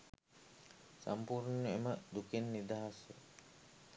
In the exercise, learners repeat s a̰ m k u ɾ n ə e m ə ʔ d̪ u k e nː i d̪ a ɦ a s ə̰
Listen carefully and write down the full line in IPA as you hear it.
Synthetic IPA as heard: s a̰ m p u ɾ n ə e m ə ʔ d̪ u k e nː i d̪ a ɦ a s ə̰